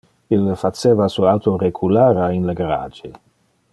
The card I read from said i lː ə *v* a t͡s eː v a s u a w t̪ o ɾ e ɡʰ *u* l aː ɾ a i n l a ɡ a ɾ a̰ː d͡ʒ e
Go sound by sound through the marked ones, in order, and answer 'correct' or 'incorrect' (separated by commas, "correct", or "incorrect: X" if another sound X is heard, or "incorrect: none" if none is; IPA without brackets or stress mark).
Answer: incorrect: f, correct